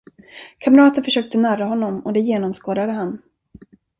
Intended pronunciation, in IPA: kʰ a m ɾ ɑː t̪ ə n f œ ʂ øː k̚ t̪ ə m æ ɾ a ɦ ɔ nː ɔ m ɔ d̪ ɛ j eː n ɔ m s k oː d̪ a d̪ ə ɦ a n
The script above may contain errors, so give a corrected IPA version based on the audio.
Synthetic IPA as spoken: kʰ a m ɾ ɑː t̪ ə n f œ ʂ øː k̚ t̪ ə n æ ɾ a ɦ ɔ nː ɔ m ɔ d̪ ɛ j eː n ɔ m s k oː d̪ a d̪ ə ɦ a n